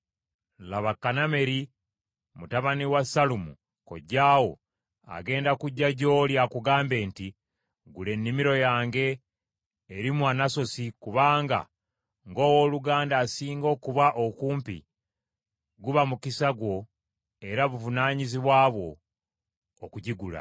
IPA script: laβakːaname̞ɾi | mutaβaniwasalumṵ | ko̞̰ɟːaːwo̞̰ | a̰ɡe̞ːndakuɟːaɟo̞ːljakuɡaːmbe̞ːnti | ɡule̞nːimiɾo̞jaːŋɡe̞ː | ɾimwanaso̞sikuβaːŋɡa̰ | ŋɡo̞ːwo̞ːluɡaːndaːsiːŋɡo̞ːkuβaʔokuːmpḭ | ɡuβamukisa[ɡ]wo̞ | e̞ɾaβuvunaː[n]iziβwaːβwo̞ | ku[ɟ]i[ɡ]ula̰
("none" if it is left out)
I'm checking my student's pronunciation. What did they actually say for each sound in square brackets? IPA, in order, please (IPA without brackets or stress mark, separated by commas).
ɡ, ɲ, ɟ, ɡ